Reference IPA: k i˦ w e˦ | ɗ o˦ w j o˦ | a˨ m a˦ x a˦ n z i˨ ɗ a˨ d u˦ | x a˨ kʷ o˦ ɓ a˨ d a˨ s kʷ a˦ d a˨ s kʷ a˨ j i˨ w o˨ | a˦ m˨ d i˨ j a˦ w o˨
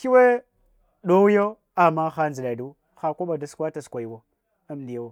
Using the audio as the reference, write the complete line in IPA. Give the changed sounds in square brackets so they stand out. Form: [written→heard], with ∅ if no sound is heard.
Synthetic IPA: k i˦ w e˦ | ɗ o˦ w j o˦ | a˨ m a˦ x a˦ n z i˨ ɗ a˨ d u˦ | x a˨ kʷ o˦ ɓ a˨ d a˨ s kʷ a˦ [d→t] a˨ s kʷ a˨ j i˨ w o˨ | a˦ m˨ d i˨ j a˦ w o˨